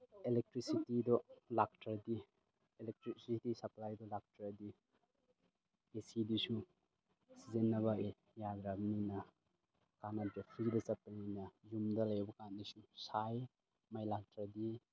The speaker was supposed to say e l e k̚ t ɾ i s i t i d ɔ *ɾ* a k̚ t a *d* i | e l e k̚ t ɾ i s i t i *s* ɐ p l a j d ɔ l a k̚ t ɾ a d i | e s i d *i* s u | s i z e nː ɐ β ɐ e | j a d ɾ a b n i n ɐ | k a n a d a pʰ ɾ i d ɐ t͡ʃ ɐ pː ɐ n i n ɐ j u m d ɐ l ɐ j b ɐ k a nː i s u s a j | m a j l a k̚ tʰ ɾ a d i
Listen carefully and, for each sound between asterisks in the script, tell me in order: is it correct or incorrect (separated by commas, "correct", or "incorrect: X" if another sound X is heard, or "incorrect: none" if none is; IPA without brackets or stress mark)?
incorrect: l, correct, correct, correct